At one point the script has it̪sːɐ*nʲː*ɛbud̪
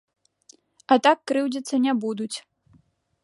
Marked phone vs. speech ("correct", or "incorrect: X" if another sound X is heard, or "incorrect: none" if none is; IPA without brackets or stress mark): incorrect: nʲ